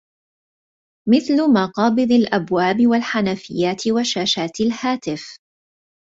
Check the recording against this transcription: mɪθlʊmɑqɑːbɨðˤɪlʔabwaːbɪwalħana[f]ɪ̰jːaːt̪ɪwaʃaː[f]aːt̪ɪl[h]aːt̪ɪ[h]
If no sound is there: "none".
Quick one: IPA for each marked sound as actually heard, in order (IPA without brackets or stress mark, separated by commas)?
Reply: f, ʃ, h, f